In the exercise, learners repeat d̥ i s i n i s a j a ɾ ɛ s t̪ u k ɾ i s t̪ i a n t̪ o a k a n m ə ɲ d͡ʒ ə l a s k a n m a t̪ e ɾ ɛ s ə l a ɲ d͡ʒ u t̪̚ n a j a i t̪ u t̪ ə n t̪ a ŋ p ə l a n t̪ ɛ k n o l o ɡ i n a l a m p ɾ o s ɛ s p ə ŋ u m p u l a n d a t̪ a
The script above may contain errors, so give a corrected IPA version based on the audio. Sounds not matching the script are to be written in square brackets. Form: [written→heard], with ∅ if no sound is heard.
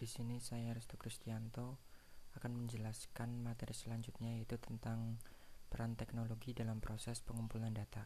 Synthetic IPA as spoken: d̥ i s i n i s a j a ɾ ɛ s t̪ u k ɾ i s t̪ i a n t̪ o a k a n m ə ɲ d͡ʒ ə l a s k a n m a t̪ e ɾ [ɛ→i] s ə l a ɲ d͡ʒ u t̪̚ [n→ɲ] a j a i t̪ u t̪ ə n t̪ a ŋ p ə [l→ɾ] a n t̪ ɛ k n o l o ɡ i [n→d] a l a m p ɾ o s ɛ s p ə ŋ u m p u l a n d a t̪ a